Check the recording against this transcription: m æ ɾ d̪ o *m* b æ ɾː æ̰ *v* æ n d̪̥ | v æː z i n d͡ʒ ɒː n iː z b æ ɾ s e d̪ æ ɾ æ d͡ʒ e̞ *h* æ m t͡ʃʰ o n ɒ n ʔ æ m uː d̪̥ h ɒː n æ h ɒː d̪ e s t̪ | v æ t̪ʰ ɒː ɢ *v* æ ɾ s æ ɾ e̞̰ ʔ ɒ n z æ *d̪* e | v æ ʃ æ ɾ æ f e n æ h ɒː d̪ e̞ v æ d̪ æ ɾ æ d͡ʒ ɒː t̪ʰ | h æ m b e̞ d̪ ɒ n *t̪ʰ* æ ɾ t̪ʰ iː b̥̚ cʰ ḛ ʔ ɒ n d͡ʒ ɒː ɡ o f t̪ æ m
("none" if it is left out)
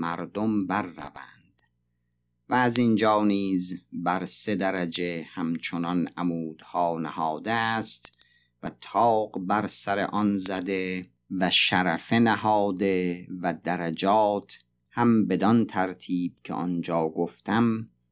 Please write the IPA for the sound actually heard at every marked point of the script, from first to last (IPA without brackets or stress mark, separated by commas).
m, v, h, b, d̪, t̪ʰ